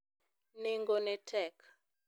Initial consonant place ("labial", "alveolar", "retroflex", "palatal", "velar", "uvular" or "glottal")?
alveolar